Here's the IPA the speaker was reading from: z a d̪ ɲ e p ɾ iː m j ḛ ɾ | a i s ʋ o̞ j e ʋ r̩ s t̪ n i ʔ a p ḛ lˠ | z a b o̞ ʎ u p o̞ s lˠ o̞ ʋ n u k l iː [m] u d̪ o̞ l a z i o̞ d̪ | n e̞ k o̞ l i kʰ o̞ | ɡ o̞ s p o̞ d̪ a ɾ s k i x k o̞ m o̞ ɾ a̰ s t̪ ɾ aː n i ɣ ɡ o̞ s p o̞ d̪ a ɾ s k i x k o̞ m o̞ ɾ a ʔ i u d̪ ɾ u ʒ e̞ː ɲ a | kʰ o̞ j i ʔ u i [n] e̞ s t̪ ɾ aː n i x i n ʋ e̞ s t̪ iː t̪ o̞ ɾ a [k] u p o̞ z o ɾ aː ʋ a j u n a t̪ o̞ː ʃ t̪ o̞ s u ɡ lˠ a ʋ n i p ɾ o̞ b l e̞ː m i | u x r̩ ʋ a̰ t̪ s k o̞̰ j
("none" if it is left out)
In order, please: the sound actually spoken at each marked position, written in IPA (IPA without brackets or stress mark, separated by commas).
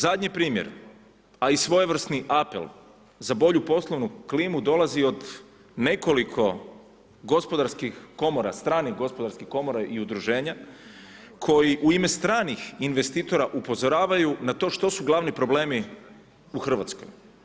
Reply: m, m, ʔ